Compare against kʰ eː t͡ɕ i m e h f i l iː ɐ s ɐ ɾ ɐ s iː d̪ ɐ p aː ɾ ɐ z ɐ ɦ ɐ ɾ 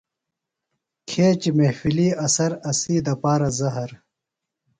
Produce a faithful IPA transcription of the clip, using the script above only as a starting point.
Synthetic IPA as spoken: kʰ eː t͡ɕ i m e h f i l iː ɐ s ɐ ɾ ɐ s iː d̪ ɐ p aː ɾ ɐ z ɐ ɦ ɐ ɾ